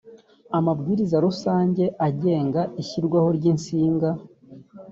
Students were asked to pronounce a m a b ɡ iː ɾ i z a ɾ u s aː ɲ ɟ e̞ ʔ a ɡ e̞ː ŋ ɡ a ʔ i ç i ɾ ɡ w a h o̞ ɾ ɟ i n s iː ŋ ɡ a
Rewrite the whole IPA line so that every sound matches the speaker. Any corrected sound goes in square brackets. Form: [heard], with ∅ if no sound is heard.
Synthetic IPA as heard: a m a b ɡ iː ɾ i z a ɾ u s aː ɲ ɟ e̞ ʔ a [ɟ] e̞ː ŋ ɡ a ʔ i ç i ɾ ɡ w a h o̞ ɾ ɟ i n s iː ŋ ɡ a